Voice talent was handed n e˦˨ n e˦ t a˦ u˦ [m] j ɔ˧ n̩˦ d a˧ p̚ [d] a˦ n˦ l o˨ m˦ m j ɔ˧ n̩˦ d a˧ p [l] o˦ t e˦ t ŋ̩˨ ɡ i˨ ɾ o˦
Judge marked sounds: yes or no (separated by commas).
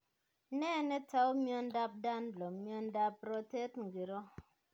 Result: yes, yes, no